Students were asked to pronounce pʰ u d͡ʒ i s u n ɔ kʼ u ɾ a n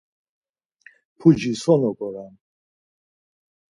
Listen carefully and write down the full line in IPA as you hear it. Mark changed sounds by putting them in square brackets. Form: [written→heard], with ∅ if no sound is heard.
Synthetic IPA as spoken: pʰ u d͡ʒ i s [u→ɔ] n ɔ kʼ [u→ɔ] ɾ a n